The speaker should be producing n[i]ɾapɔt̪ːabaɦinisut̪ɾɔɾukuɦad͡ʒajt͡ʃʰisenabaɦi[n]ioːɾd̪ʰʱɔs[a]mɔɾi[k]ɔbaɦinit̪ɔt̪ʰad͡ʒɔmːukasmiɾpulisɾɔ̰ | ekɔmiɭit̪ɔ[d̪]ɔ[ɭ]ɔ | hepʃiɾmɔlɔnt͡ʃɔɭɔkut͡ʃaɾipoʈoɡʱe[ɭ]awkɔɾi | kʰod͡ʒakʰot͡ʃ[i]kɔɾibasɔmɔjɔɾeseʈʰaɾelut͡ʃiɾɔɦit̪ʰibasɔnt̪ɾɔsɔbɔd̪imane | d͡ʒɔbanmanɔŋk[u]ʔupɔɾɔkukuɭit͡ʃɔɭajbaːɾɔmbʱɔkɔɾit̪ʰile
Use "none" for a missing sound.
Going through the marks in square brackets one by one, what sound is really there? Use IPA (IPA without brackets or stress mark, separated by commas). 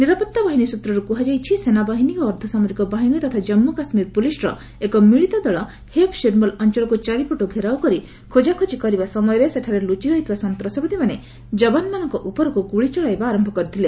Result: i, n, a, k, d̪, ɭ, ɾ, i, ɔ